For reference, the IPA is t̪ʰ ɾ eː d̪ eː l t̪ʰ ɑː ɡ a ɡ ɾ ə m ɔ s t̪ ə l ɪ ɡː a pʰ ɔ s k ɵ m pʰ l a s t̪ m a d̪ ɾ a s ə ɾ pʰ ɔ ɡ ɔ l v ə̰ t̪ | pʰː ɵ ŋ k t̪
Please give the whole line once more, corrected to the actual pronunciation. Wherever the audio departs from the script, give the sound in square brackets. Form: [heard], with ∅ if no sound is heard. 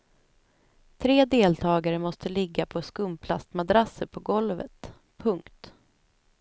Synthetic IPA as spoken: t̪ʰ ɾ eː d̪ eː l t̪ʰ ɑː ɡ a [∅] ɾ ə m ɔ s t̪ ə l ɪ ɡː a pʰ ɔ s k ɵ m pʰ l a s t̪ m a d̪ ɾ a s ə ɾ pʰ ɔ ɡ ɔ l v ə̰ t̪ | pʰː ɵ ŋ k t̪